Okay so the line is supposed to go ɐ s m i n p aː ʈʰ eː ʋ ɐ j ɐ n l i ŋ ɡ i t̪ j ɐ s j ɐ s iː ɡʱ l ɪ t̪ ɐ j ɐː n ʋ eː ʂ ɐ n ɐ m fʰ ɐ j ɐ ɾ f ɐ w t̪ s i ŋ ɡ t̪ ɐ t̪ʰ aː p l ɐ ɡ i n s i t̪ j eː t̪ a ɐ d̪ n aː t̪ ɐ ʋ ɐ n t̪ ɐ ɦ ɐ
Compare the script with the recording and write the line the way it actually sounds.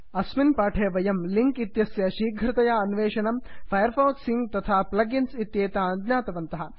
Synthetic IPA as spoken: ɐ s m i n p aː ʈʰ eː ʋ ɐ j ɐ m l i ŋ k i t̪ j ɐ s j ɐ ʃ iː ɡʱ ɾ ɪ t̪ ɐ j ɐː n ʋ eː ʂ ɐ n ɐ m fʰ ɐ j ɐ ɾ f ɐ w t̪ s i ŋ ɡ t̪ ɐ t̪ʰ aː p l ɐ ɡ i n s i t̪ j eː t̪ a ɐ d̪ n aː t̪ ɐ ʋ ɐ n t̪ ɐ ɦ ɐ